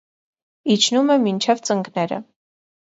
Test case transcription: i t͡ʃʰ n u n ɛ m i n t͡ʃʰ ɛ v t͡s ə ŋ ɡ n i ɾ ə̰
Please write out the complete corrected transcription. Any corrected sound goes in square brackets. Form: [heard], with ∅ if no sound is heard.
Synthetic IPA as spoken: i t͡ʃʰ n u [m] ɛ m i n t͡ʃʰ ɛ v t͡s ə ŋ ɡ n [ɛ] ɾ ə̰